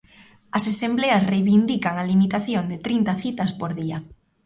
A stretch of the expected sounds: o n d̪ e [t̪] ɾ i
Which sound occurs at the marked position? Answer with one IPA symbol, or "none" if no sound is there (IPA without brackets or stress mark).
t̪